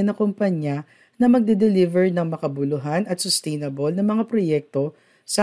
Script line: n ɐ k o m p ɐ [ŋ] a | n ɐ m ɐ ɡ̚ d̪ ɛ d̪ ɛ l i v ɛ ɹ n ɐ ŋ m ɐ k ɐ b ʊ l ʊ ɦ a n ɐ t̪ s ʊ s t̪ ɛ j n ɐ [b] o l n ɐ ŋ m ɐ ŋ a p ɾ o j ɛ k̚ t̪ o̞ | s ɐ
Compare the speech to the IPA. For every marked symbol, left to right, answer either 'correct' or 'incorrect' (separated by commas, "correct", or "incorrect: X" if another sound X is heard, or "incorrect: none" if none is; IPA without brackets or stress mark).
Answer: incorrect: ɲ, correct